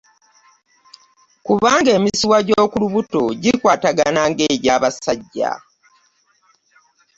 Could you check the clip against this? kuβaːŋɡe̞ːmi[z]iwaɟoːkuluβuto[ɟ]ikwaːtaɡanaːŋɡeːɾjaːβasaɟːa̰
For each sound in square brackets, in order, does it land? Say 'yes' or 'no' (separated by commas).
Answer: no, yes